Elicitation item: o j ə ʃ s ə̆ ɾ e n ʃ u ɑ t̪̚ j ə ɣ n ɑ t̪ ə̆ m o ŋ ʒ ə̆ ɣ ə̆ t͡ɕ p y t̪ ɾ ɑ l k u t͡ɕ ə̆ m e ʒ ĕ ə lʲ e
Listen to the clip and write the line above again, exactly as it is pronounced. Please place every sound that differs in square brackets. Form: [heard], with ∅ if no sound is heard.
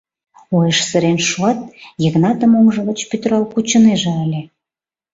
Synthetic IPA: o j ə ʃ s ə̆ ɾ e n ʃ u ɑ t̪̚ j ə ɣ n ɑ t̪ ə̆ m o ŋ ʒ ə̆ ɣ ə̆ t͡ɕ p y t̪ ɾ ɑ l k u t͡ɕ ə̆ [n] e ʒ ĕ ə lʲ e